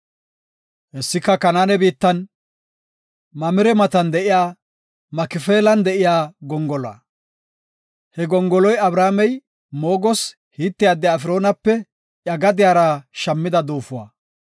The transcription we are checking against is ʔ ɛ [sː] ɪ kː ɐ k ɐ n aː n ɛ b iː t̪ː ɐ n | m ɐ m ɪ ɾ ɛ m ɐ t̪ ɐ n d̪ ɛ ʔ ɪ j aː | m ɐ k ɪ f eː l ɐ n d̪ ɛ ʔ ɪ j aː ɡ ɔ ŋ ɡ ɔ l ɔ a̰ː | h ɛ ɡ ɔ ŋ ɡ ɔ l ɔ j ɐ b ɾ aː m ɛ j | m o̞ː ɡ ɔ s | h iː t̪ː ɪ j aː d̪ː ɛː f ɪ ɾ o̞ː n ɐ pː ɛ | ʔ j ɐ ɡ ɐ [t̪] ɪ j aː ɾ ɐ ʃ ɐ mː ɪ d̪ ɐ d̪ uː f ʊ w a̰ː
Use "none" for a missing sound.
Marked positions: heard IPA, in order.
sː, d̪

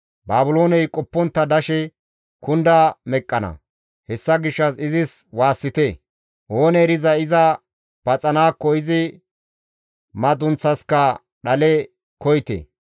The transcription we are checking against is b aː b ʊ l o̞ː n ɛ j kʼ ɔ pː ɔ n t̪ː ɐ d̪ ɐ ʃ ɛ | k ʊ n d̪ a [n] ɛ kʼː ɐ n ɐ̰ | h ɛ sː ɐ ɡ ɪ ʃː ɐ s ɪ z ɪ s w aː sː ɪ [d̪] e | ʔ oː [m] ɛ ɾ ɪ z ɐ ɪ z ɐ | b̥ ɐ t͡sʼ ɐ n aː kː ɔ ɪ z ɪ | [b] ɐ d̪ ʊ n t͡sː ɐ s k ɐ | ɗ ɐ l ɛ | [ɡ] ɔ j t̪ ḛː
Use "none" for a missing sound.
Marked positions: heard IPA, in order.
m, t̪, n, m, k

